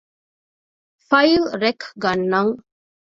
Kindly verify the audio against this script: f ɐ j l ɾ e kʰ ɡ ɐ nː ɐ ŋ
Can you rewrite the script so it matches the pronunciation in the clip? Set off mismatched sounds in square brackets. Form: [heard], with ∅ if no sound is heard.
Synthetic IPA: f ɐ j l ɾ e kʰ ɡ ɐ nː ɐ ŋ